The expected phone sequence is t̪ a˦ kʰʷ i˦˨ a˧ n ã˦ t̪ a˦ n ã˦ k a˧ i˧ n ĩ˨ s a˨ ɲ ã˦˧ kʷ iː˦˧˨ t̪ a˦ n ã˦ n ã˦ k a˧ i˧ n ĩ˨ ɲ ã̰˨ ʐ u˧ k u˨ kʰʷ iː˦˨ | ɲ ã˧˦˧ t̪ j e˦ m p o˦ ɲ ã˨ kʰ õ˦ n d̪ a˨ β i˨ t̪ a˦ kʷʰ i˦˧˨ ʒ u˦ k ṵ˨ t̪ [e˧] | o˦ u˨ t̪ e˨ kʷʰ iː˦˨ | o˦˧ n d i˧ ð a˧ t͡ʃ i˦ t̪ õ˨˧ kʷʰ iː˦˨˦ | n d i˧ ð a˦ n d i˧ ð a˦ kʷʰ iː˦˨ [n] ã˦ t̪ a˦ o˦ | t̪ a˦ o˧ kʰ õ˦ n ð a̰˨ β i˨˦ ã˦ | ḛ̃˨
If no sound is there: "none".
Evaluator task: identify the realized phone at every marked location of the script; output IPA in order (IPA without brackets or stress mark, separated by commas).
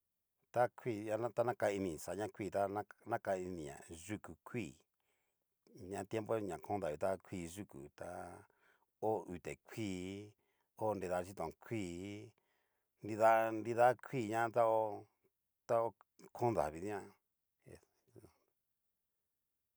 a˧, ɲ